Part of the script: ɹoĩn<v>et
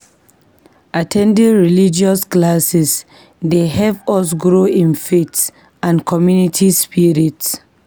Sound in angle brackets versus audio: incorrect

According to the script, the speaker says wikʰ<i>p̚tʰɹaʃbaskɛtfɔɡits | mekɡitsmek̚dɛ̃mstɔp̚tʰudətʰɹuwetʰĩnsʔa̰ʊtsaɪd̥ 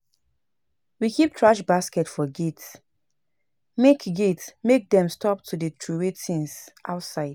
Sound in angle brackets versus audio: correct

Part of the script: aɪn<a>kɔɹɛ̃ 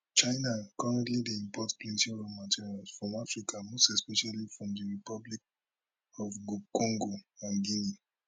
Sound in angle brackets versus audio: correct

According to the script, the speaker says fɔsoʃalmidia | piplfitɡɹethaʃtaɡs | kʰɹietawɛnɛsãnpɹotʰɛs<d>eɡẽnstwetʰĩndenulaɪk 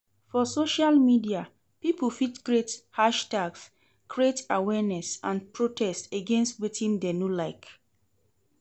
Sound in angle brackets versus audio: incorrect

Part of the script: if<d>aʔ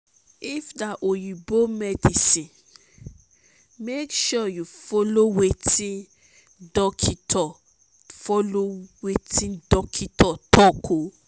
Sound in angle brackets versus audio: correct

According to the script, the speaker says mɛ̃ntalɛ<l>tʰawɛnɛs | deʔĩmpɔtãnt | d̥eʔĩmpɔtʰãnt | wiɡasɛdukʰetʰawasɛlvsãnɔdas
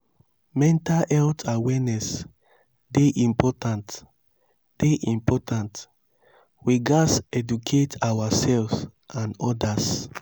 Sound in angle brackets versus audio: correct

